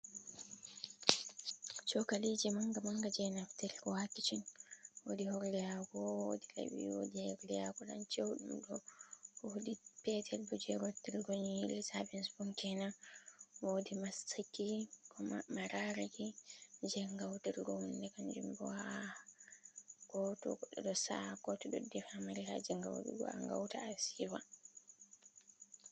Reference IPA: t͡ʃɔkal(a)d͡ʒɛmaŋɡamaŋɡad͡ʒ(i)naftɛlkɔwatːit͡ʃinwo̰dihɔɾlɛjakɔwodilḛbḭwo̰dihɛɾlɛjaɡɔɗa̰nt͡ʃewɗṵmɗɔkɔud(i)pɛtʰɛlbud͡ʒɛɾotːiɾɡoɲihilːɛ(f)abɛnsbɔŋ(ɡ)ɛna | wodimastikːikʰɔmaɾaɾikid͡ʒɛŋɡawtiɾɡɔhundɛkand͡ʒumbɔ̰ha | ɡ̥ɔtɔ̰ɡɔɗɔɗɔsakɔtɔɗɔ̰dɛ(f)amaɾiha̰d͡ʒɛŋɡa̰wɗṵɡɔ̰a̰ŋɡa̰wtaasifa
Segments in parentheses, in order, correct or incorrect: incorrect: i, incorrect: ɛ, correct, incorrect: s, incorrect: k, correct

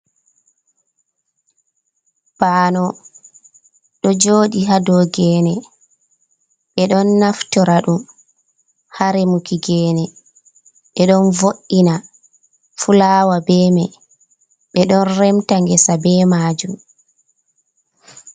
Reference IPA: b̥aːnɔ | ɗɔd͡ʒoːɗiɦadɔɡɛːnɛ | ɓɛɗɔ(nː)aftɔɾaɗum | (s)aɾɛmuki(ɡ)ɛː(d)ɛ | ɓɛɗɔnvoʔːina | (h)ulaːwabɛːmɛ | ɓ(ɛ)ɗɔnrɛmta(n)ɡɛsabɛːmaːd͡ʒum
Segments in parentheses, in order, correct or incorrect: correct, incorrect: h, correct, incorrect: n, incorrect: f, correct, incorrect: ŋ

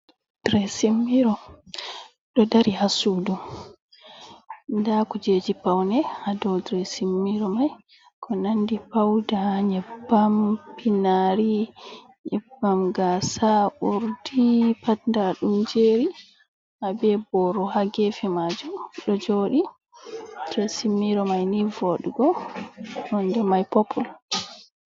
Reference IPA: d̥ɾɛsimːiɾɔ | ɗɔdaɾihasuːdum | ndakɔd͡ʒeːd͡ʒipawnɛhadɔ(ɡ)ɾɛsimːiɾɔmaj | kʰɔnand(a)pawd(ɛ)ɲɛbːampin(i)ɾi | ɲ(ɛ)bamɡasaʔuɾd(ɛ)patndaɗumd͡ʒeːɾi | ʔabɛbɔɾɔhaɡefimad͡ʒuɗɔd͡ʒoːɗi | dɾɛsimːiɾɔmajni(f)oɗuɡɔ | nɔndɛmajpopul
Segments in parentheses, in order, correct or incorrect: incorrect: d, incorrect: i, incorrect: a, incorrect: a, correct, incorrect: i, incorrect: v

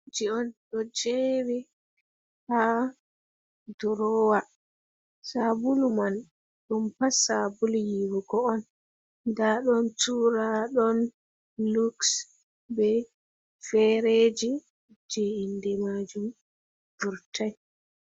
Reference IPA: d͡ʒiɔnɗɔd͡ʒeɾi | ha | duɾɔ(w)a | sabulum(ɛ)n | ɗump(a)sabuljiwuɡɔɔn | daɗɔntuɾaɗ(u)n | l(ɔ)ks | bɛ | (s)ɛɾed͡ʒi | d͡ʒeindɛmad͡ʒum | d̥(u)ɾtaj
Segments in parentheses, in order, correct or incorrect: correct, incorrect: a, correct, incorrect: ɔ, incorrect: u, incorrect: f, correct

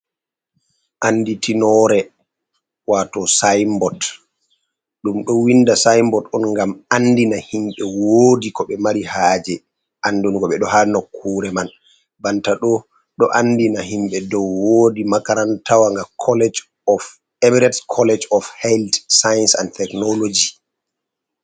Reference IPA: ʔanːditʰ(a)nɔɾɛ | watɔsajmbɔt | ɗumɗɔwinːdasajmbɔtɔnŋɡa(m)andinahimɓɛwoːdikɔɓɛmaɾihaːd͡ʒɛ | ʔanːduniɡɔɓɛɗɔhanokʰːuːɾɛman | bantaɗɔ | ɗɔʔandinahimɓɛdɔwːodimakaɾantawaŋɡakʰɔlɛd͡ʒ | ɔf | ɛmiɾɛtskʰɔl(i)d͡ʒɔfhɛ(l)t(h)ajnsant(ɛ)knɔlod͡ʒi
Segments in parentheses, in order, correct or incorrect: incorrect: i, correct, incorrect: ɛ, correct, incorrect: s, correct

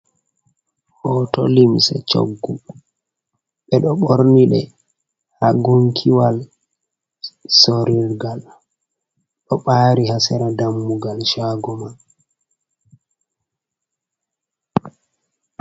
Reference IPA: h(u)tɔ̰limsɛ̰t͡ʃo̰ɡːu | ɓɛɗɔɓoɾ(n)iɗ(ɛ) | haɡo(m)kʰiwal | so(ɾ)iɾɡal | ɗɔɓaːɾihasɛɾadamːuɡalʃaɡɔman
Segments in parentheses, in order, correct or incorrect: incorrect: ɔ, correct, correct, incorrect: ŋ, correct

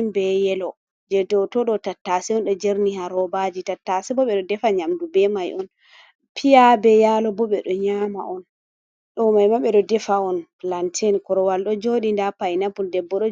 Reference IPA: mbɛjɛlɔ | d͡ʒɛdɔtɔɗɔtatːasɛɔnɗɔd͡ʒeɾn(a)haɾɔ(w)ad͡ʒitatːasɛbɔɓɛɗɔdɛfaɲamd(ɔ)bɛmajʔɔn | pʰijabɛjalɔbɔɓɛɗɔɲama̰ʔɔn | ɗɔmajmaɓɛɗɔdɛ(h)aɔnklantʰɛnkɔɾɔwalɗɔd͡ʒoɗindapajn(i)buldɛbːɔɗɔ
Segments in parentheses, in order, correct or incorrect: incorrect: i, incorrect: b, incorrect: u, incorrect: f, incorrect: a

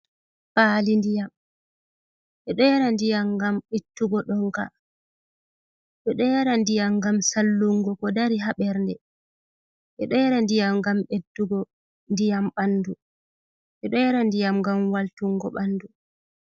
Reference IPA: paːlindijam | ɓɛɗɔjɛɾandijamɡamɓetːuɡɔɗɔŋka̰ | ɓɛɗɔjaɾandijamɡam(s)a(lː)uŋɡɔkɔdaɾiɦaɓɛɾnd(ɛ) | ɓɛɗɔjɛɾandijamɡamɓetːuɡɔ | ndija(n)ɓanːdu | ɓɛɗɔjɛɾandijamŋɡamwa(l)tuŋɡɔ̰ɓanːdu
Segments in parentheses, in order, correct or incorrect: correct, correct, correct, incorrect: m, correct

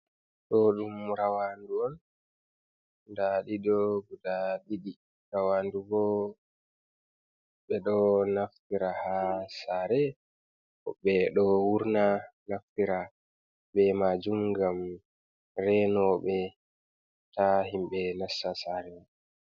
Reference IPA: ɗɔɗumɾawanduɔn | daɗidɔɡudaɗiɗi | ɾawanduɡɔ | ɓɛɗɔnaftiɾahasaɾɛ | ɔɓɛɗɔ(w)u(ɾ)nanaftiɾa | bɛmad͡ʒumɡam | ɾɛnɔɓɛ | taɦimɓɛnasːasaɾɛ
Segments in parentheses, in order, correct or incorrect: correct, correct

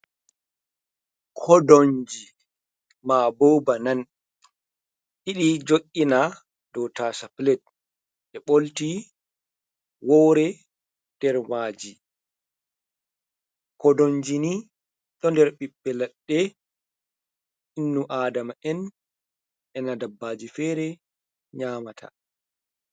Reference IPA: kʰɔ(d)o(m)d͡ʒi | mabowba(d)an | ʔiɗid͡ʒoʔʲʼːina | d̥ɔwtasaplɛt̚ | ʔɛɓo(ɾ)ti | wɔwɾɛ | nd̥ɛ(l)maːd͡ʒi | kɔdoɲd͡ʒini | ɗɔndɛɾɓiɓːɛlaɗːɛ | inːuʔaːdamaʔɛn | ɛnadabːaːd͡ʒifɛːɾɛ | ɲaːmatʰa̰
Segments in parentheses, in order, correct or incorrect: correct, incorrect: ɲ, incorrect: n, incorrect: l, incorrect: ɾ

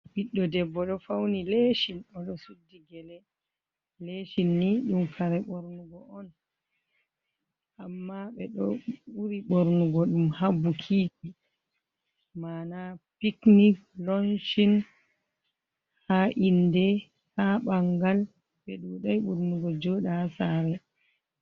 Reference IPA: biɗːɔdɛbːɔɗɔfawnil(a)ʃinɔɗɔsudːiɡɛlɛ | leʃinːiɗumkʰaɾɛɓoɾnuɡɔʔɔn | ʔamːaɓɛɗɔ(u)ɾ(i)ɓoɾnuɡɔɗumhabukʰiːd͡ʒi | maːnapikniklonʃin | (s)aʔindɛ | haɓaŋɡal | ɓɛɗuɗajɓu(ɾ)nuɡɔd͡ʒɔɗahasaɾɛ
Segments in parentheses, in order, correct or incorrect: incorrect: e, correct, correct, incorrect: h, correct

